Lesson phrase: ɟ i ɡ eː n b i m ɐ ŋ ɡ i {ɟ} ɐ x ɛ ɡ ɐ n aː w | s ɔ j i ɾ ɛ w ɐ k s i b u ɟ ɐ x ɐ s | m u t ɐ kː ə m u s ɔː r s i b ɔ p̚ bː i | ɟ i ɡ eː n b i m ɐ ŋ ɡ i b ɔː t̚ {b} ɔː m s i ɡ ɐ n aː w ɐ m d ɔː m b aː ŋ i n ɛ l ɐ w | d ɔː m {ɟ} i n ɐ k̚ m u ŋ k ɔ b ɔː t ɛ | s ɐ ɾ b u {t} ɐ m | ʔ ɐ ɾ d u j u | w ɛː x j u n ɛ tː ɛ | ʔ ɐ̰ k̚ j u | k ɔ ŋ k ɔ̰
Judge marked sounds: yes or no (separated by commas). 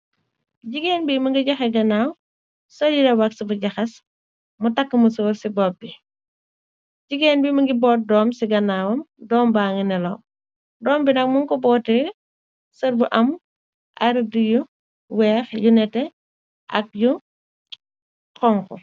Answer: yes, no, no, no